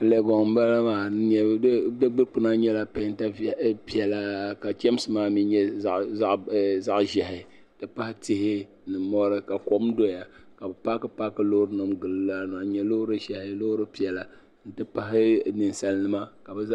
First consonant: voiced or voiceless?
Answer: voiced